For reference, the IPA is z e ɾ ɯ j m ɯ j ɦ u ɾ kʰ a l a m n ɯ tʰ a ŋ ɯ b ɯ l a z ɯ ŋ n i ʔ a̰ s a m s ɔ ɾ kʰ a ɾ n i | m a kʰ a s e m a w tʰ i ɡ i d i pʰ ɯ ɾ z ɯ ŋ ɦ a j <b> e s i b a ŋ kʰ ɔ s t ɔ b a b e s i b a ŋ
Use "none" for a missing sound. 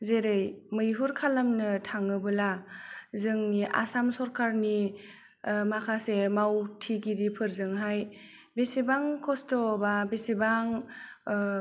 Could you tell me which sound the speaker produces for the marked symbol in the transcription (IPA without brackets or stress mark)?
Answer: b